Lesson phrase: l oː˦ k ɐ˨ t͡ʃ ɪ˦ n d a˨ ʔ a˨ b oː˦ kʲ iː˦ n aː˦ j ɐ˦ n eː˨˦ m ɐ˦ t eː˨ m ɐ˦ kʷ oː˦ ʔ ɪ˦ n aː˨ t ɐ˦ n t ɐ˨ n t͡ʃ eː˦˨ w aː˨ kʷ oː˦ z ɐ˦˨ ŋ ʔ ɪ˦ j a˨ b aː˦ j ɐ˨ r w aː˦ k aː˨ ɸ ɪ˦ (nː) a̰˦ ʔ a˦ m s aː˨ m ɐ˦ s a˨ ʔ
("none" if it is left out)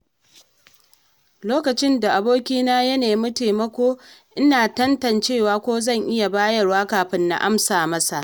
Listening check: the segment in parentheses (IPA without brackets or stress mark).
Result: nː